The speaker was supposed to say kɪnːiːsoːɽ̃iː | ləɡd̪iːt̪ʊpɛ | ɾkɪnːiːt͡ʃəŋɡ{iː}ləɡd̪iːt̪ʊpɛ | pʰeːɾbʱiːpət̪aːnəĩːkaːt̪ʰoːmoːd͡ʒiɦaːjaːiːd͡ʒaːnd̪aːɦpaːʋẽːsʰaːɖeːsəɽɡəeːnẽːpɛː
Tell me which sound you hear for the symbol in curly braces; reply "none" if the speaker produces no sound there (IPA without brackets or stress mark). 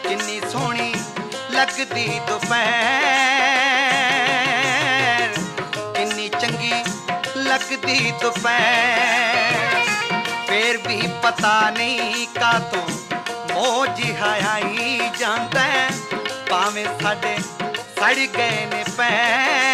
iː